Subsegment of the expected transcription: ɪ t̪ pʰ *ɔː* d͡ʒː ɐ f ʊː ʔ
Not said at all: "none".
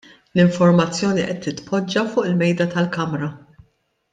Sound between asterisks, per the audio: ɔ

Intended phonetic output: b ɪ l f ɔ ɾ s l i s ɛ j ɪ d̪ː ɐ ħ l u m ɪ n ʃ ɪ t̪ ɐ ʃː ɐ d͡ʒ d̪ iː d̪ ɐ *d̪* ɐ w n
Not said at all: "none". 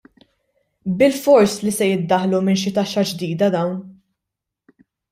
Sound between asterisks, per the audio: d̪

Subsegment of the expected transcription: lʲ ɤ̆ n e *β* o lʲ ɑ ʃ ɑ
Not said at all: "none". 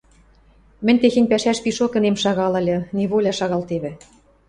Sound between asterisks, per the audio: β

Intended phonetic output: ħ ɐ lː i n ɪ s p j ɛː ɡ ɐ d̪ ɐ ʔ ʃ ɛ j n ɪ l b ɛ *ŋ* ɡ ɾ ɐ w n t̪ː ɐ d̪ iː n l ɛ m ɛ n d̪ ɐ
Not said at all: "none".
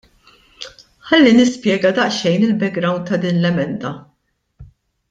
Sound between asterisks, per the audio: ɡ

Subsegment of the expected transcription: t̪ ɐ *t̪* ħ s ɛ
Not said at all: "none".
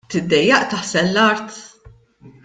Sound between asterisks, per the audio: none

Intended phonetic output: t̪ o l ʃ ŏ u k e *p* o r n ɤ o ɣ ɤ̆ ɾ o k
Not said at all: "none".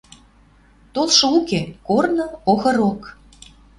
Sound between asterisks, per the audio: k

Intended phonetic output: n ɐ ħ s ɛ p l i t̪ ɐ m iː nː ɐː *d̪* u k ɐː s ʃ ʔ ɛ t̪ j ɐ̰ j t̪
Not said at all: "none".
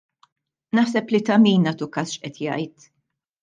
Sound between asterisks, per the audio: t̪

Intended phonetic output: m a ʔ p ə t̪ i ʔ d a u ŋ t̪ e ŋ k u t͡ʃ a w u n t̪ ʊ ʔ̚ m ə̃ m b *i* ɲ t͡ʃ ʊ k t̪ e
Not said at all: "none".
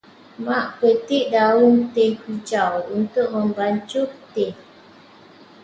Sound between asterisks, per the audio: a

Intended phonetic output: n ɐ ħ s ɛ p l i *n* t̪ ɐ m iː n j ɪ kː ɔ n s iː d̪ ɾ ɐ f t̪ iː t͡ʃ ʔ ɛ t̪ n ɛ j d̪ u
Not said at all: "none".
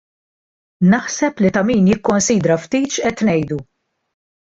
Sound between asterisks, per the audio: none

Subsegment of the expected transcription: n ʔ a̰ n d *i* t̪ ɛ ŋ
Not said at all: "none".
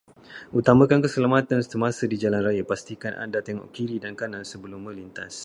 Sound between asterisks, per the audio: a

